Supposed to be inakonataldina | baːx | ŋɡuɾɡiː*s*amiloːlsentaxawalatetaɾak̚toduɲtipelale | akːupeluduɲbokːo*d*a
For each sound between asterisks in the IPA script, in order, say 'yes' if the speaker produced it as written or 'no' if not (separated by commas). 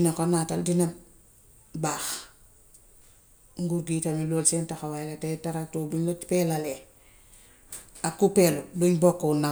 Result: no, no